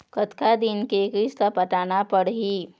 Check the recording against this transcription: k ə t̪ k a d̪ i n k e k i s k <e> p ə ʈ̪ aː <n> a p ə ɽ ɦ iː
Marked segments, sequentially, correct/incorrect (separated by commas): incorrect, correct